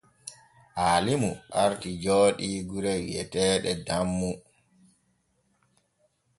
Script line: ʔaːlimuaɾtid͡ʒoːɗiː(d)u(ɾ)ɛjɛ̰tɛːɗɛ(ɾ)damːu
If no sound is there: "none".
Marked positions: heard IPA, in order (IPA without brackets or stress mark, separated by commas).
ɡ, ɾ, none